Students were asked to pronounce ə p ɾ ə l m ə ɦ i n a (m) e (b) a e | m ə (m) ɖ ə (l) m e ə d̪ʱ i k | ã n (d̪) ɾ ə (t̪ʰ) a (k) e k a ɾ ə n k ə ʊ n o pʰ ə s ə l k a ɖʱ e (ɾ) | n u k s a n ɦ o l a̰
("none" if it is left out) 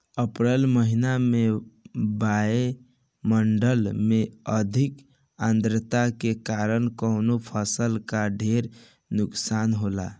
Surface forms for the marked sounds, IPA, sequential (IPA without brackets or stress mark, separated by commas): m, b, ɳ, l, d̪, t̪, k, ɾ